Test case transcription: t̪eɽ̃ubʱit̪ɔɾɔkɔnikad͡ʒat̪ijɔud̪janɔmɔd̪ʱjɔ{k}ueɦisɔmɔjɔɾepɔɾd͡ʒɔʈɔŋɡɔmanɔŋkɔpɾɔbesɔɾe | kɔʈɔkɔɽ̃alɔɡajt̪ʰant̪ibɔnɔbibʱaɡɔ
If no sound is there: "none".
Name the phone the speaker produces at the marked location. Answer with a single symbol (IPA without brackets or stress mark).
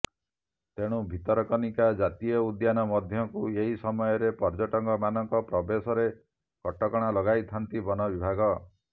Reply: k